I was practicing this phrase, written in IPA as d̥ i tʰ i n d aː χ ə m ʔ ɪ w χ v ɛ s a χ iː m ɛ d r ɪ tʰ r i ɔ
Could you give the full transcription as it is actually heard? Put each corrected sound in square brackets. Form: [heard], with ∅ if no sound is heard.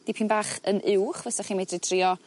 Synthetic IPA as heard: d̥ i [pʰ] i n [b] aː χ ə [n] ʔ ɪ w χ v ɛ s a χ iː m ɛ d r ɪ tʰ r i ɔ

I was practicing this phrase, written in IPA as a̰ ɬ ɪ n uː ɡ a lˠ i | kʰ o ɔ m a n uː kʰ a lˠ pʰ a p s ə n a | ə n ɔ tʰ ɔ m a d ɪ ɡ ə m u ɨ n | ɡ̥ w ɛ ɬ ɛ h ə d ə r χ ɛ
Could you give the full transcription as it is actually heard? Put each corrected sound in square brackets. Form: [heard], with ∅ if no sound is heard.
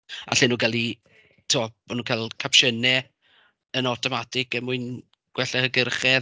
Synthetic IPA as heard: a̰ ɬ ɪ n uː ɡ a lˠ i | [tʰ] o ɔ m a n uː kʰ a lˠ [kʰ] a p [ʃ] ə n [ɛ] | ə n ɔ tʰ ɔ m a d ɪ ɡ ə m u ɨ n | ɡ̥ w ɛ ɬ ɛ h ə [ɡ] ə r χ ɛ

